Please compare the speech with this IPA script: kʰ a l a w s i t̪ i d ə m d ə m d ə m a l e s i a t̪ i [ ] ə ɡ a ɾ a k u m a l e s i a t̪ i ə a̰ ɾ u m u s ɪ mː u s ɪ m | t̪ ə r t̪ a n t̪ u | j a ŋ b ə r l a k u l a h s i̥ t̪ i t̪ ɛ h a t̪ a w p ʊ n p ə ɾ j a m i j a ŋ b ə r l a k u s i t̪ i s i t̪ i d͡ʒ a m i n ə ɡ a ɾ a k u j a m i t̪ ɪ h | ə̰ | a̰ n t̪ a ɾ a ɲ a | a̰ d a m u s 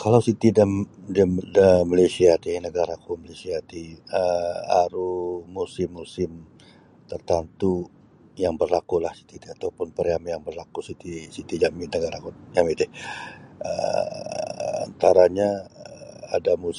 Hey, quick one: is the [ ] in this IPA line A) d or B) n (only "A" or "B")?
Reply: B